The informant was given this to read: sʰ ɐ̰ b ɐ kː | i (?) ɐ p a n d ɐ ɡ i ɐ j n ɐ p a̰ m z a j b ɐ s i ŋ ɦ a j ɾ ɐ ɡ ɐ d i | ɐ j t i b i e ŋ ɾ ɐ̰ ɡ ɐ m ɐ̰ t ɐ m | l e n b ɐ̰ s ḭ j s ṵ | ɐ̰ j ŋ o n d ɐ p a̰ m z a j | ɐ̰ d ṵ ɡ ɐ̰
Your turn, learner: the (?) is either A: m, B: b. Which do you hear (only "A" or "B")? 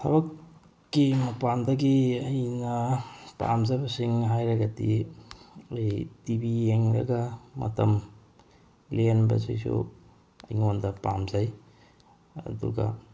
A